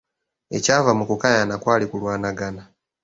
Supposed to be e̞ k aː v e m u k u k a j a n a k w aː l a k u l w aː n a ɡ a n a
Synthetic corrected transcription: e̞ c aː v a m u k u k a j a n a k w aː l i k u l w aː n a ɡ a n a